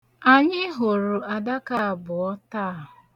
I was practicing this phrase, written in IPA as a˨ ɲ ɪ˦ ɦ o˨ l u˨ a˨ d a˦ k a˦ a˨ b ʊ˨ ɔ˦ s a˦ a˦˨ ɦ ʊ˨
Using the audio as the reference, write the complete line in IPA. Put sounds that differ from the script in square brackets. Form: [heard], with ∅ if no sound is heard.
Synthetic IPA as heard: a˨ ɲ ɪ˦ ɦ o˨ [ɾ] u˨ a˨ d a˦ k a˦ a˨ b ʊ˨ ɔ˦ [t] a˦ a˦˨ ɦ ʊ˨